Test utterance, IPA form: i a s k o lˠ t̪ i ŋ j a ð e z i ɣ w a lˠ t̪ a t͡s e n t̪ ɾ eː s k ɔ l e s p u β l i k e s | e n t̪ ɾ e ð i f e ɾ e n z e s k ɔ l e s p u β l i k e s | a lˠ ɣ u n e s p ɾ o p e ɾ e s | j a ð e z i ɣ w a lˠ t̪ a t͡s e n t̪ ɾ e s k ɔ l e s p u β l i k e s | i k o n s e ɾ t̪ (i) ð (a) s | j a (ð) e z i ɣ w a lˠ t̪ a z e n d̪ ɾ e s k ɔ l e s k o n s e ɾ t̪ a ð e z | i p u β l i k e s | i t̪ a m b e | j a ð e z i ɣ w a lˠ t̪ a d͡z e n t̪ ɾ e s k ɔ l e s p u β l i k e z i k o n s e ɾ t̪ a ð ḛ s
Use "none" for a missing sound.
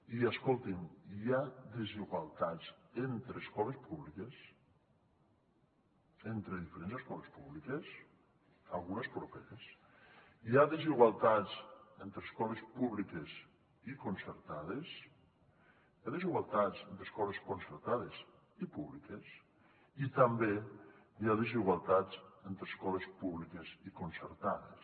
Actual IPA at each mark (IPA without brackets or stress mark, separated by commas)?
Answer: a, e, ð